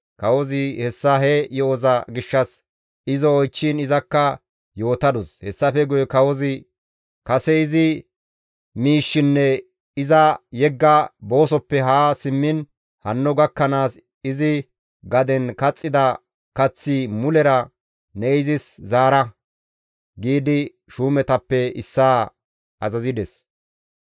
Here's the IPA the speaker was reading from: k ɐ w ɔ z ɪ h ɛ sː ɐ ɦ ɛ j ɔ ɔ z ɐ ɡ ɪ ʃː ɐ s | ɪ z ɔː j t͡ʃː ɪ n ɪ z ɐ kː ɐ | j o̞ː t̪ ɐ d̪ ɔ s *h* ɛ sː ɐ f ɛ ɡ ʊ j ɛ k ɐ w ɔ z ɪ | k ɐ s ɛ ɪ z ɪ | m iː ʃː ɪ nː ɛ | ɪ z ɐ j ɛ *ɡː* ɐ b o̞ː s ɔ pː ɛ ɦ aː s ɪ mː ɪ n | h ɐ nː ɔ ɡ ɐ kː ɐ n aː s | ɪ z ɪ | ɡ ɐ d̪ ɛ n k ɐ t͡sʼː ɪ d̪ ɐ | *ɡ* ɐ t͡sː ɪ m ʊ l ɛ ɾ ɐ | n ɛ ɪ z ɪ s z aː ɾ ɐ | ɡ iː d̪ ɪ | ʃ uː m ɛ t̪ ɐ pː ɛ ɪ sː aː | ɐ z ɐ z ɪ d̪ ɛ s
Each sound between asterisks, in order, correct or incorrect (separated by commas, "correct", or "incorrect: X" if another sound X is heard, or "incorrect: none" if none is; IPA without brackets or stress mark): correct, correct, incorrect: k